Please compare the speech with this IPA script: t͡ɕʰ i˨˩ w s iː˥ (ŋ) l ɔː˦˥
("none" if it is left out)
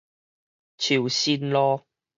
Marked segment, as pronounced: n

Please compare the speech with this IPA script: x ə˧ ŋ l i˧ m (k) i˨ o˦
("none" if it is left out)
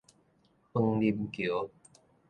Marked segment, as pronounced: k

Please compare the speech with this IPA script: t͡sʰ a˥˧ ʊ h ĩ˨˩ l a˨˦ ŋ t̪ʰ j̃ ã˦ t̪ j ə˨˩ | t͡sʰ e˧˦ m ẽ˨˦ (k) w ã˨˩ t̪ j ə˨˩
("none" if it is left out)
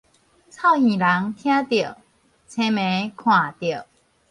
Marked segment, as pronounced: kʰ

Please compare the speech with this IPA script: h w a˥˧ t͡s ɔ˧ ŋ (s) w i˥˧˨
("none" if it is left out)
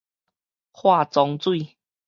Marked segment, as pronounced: t͡s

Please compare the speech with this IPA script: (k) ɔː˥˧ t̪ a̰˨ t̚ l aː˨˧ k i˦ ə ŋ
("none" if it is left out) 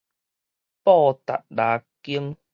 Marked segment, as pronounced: p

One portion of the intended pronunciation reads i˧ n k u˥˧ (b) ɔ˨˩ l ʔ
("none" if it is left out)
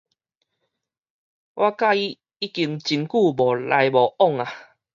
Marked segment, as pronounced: b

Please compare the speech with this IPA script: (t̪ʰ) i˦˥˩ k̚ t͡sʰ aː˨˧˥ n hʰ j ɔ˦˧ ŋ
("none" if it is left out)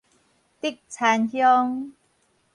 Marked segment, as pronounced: t̪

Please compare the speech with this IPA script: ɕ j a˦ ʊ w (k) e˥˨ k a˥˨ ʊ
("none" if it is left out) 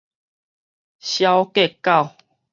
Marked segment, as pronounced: k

